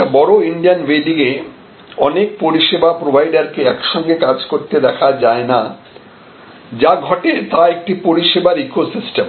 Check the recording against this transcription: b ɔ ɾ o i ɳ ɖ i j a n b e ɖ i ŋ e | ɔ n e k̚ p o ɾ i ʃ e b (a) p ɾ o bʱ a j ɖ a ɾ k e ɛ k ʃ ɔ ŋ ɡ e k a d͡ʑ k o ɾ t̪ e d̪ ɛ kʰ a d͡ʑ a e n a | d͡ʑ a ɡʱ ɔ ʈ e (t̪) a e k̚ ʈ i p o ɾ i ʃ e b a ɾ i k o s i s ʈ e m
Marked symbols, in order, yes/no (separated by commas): yes, yes